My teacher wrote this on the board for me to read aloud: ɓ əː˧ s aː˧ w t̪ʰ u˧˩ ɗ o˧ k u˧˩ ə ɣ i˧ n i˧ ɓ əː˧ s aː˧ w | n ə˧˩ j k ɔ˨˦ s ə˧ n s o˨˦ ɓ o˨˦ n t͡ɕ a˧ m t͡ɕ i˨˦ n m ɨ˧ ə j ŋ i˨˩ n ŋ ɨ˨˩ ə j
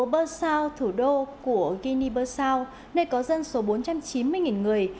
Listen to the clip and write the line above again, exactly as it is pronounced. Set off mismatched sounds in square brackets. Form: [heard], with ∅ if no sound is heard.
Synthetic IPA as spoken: ɓ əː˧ s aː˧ w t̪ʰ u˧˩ ɗ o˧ k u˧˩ ə ɣ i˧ n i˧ ɓ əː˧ s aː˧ w | n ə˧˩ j k ɔ˨˦ [z] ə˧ n s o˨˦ ɓ o˨˦ n t͡ɕ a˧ m t͡ɕ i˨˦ n m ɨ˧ ə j ŋ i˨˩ n ŋ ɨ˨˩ ə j

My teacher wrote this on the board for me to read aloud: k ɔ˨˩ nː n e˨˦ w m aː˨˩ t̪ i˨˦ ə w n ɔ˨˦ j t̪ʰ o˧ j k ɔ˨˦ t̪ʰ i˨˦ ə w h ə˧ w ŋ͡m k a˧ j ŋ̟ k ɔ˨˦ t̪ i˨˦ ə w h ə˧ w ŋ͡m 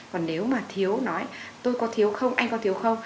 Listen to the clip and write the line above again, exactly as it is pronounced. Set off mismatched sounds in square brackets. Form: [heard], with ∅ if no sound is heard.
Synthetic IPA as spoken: k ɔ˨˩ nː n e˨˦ w m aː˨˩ [t̪ʰ] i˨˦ ə w n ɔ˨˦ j [t̪] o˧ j k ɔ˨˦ t̪ʰ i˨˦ ə w [x] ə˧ w ŋ͡m [ʔ] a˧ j ŋ̟ k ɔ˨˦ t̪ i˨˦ ə w [x] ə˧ w ŋ͡m

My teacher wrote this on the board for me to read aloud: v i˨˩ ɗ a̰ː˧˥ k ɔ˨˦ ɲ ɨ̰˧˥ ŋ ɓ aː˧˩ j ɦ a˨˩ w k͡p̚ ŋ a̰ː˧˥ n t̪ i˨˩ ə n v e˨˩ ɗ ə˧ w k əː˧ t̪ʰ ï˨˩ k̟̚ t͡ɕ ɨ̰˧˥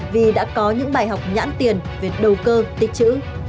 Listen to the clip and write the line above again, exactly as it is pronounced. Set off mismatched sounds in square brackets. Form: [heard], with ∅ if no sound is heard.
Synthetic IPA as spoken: v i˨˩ ɗ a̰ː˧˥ k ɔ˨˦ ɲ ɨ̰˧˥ ŋ ɓ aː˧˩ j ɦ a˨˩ w k͡p̚ [ɲ] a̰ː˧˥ n t̪ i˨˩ ə n v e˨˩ ɗ [ə˨˩] w k əː˧ [t̪] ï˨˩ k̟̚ t͡ɕ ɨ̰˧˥

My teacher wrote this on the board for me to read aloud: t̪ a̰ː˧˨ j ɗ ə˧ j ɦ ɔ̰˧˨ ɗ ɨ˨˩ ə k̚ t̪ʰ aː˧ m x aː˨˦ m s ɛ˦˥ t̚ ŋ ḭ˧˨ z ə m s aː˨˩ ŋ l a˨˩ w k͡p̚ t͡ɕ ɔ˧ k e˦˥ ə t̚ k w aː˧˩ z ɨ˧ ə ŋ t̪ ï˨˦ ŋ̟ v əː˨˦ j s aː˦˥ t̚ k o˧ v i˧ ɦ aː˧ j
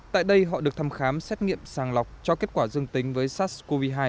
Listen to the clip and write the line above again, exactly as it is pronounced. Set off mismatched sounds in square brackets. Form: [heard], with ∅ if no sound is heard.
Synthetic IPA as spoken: t̪ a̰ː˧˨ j ɗ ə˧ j ɦ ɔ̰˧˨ ɗ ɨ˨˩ ə k̚ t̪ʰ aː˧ m x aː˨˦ m s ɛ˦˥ t̚ ŋ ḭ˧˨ [∅] ə m s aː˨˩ ŋ l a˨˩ w k͡p̚ t͡ɕ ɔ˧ k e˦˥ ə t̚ k w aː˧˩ z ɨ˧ ə ŋ t̪ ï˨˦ ŋ̟ v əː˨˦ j s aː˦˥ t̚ k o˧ v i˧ ɦ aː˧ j

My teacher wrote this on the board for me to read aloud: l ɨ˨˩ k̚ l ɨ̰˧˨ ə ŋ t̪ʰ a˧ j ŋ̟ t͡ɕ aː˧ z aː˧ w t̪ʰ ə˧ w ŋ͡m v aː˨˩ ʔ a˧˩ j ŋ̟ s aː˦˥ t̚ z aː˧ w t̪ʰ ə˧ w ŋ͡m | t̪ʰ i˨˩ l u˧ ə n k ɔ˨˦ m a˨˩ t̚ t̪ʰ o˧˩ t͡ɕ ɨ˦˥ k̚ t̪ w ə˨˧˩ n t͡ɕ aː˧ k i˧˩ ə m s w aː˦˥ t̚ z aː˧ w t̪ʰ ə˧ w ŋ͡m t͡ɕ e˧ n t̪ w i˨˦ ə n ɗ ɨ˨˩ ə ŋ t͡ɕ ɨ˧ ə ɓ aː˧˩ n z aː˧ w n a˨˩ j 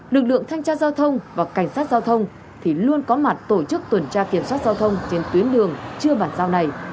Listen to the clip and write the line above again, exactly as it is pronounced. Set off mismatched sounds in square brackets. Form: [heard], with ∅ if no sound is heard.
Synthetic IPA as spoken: l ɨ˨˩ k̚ l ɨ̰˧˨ ə ŋ t̪ʰ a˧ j ŋ̟ t͡ɕ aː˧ z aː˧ w t̪ʰ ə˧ w ŋ͡m v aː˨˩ [k] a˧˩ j ŋ̟ s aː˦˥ t̚ z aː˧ w t̪ʰ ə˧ w ŋ͡m | t̪ʰ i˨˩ l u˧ ə n k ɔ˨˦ m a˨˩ t̚ [t̪] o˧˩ t͡ɕ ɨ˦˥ k̚ t̪ w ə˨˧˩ n t͡ɕ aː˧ k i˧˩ ə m s w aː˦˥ t̚ z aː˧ w t̪ʰ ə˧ w ŋ͡m t͡ɕ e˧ n t̪ w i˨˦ ə n ɗ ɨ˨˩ ə ŋ t͡ɕ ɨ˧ ə ɓ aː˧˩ n z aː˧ w n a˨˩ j

